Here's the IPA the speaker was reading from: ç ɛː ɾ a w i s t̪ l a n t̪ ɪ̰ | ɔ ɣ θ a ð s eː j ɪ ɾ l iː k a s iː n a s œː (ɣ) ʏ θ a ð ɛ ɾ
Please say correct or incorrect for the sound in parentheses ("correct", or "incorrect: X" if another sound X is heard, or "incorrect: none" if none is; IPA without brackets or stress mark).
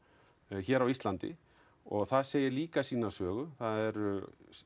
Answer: correct